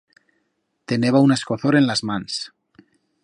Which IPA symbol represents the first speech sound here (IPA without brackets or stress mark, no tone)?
t̪